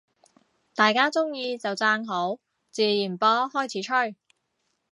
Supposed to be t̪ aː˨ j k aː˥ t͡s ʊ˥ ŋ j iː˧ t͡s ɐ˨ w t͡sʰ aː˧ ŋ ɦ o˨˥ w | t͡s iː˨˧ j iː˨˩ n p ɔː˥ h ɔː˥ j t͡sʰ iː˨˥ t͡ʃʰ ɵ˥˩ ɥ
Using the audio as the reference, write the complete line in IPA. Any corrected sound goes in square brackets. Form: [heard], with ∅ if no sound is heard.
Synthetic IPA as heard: t̪ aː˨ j k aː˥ t͡s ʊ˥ ŋ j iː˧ t͡s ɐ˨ w [t͡s] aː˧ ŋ ɦ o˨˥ w | t͡s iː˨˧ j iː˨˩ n p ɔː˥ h ɔː˥ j t͡sʰ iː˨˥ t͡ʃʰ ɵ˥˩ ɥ